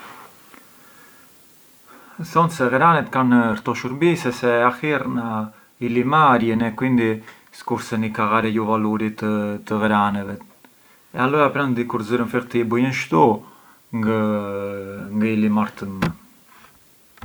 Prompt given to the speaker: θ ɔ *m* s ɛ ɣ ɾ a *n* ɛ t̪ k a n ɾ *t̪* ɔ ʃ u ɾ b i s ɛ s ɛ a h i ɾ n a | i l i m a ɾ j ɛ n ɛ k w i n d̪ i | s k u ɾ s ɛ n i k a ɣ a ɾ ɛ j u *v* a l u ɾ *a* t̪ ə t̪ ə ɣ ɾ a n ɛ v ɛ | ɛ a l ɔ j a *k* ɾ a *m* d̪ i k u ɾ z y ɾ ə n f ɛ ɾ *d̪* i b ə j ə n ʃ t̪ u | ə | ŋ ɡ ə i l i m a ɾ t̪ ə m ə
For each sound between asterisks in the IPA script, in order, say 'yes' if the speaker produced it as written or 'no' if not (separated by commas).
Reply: no, yes, yes, yes, no, no, no, no